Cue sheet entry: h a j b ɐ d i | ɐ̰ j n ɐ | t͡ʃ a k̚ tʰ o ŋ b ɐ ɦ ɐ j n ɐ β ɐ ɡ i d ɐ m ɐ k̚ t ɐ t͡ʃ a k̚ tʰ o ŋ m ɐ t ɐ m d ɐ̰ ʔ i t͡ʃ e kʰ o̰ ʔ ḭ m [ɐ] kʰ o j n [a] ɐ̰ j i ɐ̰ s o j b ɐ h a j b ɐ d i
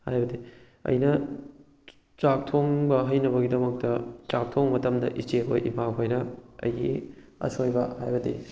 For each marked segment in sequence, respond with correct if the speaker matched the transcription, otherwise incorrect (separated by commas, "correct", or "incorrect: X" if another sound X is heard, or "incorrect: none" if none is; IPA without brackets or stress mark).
incorrect: a, incorrect: ɐ